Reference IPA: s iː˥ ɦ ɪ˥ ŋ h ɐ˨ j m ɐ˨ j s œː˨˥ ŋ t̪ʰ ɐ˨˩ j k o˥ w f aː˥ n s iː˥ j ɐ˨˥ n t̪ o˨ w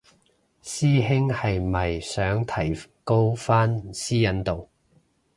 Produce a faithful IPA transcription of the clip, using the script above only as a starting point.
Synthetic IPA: s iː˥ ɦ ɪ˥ ŋ h ɐ˨ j m ɐ˨ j s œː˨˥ ŋ t̪ʰ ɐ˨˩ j k o˥ w f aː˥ n s iː˥ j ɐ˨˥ n t̪ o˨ w